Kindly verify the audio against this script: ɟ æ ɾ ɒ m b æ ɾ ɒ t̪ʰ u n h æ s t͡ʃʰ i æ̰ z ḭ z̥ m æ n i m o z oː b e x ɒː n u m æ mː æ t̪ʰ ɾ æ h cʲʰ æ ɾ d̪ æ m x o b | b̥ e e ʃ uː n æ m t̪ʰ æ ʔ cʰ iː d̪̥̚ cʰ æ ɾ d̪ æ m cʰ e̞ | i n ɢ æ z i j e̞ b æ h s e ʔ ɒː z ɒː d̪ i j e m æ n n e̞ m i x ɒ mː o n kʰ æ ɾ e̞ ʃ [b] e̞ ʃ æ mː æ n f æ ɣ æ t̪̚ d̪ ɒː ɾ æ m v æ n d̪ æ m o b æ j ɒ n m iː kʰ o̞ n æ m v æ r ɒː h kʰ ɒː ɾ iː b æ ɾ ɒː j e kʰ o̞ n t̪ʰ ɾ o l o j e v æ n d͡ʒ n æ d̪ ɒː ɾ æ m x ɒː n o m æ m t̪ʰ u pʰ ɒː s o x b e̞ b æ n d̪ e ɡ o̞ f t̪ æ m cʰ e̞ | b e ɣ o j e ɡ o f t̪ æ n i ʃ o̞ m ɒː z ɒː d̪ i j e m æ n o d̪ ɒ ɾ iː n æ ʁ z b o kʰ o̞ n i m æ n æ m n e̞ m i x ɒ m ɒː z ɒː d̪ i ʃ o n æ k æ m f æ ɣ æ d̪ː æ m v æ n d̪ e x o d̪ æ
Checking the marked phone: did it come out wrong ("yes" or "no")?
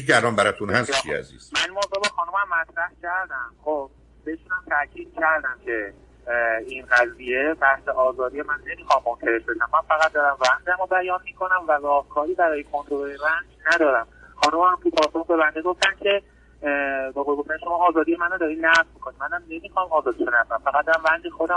no